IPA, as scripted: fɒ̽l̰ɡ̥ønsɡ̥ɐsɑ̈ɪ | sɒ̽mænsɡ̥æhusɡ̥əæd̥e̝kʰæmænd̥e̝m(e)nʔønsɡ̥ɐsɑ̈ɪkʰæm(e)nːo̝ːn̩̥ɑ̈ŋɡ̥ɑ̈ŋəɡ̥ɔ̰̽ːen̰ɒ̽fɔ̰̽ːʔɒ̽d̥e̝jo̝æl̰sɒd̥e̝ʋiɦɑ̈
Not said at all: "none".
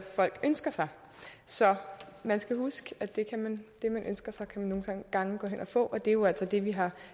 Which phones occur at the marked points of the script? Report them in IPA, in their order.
æ, æ

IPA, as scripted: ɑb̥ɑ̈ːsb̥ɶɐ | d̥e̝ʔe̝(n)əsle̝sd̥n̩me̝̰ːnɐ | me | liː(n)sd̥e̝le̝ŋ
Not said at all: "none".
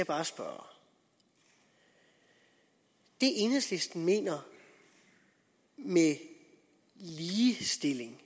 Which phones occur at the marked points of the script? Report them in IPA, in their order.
n, none

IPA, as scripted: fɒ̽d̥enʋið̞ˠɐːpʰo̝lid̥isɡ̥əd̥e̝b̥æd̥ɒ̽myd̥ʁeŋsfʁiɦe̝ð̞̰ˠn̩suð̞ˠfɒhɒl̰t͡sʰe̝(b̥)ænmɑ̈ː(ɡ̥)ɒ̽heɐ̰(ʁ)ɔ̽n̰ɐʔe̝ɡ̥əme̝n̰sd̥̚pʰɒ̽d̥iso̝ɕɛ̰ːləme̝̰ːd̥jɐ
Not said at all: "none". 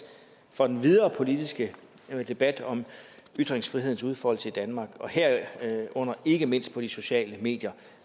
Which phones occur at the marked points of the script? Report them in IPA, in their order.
d̥, ɡ̥, none

